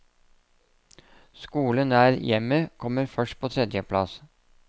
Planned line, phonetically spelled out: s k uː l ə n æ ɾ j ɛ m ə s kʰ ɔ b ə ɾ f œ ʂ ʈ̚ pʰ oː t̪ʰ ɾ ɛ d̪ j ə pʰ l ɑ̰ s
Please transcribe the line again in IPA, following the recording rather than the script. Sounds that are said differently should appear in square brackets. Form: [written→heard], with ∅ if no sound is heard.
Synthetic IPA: s k uː l ə n [æ→æː] ɾ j ɛ m ə [s→∅] kʰ ɔ [b→m] ə ɾ f œ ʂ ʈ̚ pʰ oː t̪ʰ ɾ ɛ d̪ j ə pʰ l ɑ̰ s